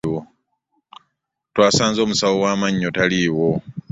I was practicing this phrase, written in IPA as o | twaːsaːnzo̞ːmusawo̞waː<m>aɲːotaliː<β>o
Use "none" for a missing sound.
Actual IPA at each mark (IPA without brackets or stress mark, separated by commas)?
m, w